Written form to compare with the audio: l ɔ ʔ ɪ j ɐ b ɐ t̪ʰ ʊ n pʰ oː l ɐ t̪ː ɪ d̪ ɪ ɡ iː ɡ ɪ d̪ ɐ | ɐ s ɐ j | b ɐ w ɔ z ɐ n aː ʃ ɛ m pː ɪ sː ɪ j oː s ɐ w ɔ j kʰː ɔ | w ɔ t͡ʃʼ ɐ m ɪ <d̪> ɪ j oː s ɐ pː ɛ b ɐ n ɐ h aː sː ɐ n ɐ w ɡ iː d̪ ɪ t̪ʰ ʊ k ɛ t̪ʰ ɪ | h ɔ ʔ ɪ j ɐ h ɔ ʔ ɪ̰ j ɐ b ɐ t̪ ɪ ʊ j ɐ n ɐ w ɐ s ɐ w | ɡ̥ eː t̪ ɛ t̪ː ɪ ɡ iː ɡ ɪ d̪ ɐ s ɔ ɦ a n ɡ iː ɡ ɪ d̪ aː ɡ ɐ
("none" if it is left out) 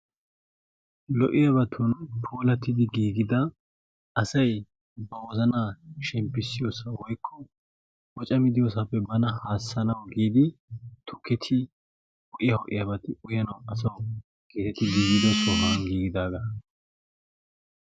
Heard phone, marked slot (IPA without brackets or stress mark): d̪